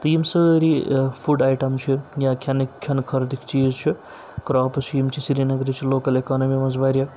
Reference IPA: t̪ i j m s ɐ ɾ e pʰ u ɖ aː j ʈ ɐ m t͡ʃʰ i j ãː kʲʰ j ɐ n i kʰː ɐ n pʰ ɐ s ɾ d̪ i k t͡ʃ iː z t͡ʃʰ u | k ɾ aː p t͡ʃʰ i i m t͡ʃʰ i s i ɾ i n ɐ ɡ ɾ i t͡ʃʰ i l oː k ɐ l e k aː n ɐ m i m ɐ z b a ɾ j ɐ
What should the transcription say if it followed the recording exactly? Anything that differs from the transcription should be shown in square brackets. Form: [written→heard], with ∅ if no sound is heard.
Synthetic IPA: t̪ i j m s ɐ ɾ [e→i] pʰ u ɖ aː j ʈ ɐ m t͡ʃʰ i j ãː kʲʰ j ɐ n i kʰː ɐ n [pʰ→kʰ] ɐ [s→∅] ɾ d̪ i k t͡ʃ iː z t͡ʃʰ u | k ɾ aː p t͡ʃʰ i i m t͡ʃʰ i s i ɾ i n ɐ ɡ ɾ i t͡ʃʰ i l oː k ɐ l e k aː n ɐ m i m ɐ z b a ɾ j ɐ